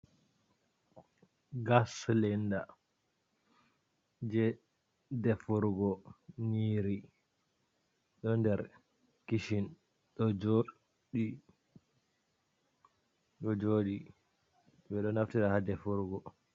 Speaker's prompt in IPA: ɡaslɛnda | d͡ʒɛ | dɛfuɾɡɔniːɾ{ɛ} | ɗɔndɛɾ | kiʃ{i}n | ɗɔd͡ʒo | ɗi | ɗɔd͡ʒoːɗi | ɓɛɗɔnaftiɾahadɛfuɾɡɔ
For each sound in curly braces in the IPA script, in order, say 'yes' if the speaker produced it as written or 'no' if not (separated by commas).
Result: no, yes